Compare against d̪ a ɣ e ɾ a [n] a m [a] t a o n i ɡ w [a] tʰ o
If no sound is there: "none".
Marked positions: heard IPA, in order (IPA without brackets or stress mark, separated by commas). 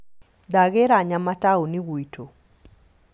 ɲ, a, i